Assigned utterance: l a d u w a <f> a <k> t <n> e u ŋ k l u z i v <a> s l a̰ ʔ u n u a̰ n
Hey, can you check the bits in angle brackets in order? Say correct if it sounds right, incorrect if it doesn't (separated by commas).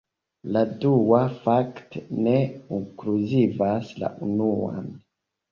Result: correct, correct, correct, correct